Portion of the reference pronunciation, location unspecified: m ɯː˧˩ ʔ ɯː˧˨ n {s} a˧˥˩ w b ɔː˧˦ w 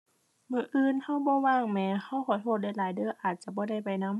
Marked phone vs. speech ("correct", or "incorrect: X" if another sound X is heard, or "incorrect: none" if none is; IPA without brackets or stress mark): incorrect: h